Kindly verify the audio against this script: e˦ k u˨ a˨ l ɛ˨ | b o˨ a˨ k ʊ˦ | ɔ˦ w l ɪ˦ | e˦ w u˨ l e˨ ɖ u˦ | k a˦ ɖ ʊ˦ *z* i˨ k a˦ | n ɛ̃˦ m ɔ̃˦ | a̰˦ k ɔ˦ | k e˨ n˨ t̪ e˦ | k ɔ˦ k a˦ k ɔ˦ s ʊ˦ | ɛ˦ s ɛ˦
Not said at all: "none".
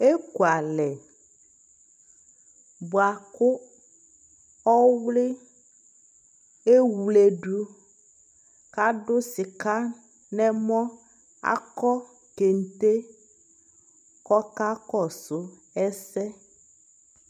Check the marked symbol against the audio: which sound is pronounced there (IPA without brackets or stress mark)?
s